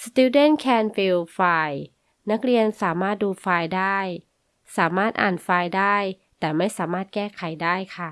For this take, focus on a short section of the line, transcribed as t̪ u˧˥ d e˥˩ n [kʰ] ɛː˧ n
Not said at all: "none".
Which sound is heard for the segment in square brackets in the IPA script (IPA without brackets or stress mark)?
kʰ